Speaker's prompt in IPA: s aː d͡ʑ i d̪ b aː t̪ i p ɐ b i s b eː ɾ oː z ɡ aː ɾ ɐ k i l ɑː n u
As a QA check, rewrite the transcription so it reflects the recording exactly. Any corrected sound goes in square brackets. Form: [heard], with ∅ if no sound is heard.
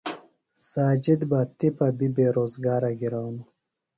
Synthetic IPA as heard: s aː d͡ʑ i d̪ b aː t̪ i p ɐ b i [∅] b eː ɾ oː z ɡ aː ɾ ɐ [ɡ] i [ɾ] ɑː n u

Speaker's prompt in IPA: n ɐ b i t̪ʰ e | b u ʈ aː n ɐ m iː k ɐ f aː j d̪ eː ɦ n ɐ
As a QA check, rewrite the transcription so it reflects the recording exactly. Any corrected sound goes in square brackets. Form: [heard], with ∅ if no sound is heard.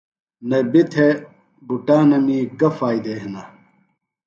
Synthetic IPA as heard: n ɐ b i t̪ʰ e | b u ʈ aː n ɐ m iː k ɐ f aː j d̪ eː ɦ n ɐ

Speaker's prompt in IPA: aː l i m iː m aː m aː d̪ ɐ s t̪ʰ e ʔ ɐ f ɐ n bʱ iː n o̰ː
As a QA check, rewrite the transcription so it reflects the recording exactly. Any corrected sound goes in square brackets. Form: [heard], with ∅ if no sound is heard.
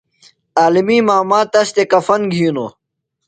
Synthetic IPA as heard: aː l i m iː m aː m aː [t̪] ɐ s [t̪] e [k] ɐ f ɐ n [ɡʱ] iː n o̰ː

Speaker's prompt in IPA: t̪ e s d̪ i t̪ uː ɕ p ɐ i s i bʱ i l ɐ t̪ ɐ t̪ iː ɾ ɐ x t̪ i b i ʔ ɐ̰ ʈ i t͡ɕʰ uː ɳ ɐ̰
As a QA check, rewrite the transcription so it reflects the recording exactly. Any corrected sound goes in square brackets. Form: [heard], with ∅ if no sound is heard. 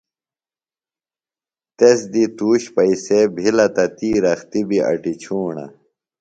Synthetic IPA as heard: t̪ e s d̪ i t̪ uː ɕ p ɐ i s [e] bʱ i l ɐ t̪ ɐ t̪ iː ɾ ɐ x t̪ i b i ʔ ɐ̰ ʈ i t͡ɕʰ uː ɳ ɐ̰

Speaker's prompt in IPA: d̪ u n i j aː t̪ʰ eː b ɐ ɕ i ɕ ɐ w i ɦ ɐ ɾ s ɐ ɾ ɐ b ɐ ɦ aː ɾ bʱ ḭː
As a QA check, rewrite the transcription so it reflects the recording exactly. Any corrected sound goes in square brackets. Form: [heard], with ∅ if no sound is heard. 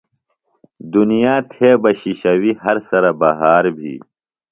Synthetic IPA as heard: d̪ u n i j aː t̪ʰ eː b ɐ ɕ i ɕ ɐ w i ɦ ɐ ɾ s ɐ ɾ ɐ b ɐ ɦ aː ɾ bʱ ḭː

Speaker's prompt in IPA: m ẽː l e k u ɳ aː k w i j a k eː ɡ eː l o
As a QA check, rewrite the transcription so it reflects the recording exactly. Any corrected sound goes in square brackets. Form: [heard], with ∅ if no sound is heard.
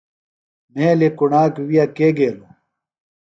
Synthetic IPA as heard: m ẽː l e k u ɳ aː k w i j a k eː ɡ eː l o

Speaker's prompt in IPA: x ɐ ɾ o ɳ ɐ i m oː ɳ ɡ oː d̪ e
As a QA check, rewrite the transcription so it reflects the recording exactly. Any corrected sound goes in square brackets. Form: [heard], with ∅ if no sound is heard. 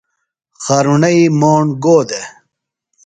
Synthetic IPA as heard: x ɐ ɾ [u] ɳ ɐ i m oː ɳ ɡ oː d̪ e

